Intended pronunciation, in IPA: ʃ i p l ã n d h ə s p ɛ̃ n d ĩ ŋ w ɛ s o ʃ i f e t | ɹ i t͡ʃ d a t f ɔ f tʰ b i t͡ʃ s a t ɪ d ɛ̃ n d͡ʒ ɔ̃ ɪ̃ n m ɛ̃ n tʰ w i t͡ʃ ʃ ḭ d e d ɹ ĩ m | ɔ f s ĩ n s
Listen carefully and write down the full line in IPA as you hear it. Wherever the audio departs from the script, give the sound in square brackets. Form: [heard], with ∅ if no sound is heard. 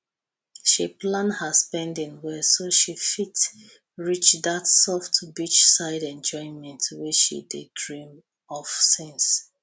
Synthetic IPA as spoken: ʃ i p l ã n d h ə s p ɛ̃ n d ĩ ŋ w ɛ s o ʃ i f [i] t | ɹ i t͡ʃ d a t [s] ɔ f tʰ b i t͡ʃ s a [∅] ɪ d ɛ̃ n d͡ʒ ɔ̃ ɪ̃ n m ɛ̃ n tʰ w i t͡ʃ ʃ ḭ d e d ɹ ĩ m | ɔ f s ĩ n s